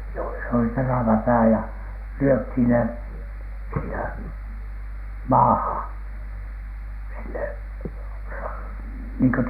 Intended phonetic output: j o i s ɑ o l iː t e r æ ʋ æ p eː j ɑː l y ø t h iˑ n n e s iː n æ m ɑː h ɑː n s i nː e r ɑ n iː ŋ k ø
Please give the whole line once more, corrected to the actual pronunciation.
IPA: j o i s ɑ o l i t e r æ ʋ æ p æː j ɑ l y ø t h iˑ n n e s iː n æ m ɑː h ɑ n s i nː e r ɑ n iː ŋ k ø